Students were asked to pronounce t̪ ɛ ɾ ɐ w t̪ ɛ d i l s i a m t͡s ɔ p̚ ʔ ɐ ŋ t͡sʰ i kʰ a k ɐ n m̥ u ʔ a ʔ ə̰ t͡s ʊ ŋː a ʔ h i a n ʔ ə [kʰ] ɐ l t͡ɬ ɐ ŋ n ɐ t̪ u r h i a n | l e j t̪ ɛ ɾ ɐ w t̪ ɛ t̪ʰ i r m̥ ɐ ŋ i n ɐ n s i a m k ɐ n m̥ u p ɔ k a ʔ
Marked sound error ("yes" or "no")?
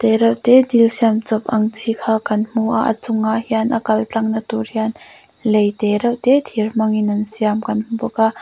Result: yes